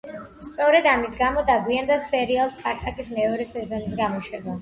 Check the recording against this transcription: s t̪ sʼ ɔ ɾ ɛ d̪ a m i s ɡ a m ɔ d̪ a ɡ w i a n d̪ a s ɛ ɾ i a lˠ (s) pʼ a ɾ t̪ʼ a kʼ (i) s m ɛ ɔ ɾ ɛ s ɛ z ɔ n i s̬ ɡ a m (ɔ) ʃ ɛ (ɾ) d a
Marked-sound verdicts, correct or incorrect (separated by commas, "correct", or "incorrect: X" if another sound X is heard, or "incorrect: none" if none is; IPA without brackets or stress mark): correct, correct, correct, incorrect: none